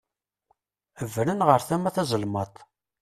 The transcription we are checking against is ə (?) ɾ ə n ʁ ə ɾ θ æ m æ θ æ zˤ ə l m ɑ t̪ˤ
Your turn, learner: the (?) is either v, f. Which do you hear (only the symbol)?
v